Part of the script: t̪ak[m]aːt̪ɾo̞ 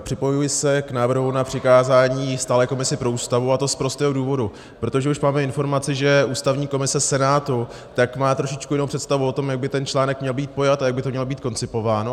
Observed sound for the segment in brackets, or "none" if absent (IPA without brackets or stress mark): m